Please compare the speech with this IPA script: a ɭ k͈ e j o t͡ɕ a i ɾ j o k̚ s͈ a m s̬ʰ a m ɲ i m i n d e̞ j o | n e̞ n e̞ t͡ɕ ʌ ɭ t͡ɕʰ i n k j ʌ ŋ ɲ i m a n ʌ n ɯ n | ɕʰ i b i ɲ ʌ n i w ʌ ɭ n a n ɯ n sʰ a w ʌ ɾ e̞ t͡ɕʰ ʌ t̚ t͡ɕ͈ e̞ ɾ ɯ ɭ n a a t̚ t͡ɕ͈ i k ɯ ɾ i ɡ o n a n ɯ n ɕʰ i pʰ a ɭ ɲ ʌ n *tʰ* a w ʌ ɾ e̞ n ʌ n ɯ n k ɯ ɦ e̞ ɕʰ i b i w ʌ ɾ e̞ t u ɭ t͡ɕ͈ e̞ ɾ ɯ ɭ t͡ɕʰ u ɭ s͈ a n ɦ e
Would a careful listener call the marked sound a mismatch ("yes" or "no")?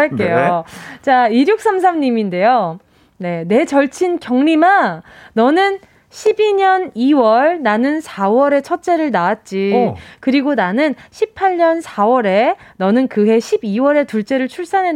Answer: yes